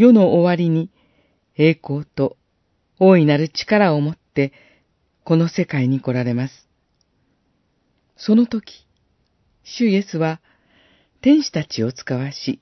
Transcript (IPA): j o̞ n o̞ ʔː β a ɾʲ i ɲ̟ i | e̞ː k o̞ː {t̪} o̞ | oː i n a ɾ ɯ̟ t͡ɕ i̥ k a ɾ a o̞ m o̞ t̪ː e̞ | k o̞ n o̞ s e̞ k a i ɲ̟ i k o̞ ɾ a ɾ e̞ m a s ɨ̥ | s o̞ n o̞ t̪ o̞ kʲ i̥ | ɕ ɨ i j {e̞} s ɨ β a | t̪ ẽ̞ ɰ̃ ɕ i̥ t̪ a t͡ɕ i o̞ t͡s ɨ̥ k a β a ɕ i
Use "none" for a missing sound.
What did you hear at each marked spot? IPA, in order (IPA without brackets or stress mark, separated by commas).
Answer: t̪, e̞